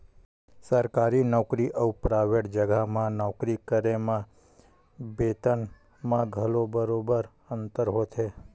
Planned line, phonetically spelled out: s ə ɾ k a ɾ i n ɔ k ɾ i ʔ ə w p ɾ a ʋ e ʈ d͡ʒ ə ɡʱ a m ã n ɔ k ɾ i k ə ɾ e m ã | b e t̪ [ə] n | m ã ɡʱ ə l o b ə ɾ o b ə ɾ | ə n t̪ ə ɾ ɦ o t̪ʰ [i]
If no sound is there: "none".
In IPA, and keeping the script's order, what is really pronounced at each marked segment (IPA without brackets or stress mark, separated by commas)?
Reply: ə, e